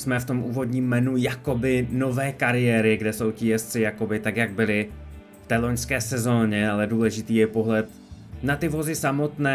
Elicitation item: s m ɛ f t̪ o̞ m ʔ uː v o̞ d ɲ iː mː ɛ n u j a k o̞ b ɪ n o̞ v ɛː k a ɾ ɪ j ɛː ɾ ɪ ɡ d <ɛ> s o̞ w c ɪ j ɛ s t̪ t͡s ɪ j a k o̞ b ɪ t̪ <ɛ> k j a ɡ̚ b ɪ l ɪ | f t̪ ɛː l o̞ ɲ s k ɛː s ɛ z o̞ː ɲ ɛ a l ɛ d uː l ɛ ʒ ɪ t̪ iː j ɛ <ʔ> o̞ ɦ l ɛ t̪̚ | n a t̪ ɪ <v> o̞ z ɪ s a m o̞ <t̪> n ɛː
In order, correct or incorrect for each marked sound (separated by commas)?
correct, incorrect, incorrect, correct, correct